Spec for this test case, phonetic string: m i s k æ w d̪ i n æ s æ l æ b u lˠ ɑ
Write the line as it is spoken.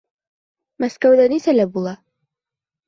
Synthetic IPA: m æ s k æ w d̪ æ n i s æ l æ b u lˠ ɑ